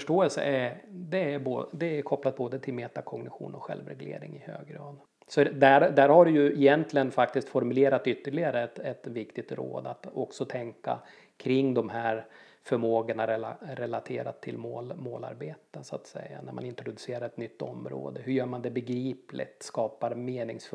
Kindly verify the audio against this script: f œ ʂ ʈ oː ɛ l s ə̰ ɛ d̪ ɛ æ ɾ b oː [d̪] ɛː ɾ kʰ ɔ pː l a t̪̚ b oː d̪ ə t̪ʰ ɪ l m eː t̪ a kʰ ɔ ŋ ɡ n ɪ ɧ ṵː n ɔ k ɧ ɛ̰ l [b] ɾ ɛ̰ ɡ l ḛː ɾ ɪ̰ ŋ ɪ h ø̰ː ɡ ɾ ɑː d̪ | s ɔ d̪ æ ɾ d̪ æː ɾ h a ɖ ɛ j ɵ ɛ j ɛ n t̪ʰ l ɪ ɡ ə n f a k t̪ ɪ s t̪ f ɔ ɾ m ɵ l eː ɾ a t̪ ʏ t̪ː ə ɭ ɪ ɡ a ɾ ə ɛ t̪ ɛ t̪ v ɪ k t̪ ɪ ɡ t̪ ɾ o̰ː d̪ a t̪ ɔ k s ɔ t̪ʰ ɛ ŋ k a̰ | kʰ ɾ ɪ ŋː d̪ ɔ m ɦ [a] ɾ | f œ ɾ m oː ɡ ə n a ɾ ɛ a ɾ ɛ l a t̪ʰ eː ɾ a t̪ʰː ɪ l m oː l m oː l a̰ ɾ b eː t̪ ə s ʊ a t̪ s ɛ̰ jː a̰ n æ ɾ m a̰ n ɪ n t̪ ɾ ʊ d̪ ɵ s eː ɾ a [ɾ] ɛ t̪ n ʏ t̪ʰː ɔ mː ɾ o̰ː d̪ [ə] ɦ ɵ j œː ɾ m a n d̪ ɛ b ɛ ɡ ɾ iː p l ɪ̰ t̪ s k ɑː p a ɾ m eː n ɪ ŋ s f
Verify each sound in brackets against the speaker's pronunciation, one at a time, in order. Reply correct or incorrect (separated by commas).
correct, incorrect, incorrect, correct, correct